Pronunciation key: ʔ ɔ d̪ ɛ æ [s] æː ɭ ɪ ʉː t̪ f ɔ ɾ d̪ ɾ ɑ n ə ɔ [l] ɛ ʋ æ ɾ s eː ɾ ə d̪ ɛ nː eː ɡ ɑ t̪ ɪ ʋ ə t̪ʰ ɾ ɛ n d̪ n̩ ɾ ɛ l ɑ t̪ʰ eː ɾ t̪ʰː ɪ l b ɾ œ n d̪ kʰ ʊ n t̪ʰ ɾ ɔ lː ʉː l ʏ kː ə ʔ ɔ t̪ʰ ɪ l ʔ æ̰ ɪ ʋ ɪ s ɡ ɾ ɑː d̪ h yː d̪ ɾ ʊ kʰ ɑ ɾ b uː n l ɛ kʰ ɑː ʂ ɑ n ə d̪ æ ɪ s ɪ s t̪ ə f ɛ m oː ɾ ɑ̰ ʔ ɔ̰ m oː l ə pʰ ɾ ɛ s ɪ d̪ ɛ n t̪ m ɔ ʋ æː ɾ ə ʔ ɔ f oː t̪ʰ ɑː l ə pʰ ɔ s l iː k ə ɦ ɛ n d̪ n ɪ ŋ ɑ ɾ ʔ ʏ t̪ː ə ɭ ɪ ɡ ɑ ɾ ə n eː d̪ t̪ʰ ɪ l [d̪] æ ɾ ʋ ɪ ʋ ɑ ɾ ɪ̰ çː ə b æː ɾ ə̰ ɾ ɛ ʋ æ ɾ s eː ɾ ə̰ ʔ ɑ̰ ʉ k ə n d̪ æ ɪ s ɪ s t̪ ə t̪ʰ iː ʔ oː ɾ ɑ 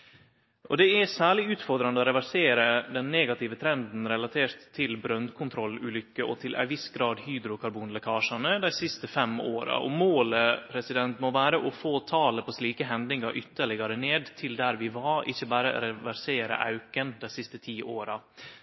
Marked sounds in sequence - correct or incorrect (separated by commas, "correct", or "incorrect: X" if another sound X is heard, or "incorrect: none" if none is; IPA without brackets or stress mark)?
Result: correct, incorrect: ɾ, correct